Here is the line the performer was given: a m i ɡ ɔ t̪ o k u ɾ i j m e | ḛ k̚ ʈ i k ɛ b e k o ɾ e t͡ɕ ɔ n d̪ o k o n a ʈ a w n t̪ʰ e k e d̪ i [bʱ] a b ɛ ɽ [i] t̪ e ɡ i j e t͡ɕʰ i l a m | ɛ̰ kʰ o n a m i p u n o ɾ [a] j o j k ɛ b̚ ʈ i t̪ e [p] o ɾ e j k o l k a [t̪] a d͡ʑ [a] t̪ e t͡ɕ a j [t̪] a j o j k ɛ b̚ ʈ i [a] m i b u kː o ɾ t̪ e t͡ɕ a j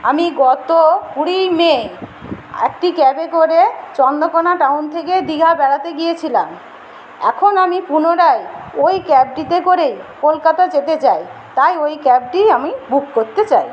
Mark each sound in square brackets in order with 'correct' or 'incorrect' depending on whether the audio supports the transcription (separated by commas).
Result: incorrect, incorrect, correct, incorrect, correct, incorrect, correct, correct